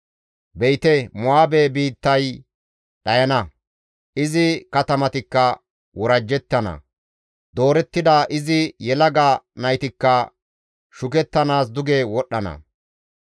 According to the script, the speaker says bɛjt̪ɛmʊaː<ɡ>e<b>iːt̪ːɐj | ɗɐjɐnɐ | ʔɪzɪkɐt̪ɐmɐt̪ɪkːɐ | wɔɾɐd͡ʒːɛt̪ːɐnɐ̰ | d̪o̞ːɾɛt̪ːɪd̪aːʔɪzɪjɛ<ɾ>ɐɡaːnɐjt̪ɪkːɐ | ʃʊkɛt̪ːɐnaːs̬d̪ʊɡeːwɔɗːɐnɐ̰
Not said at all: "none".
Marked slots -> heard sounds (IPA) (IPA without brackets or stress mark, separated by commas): b, b, l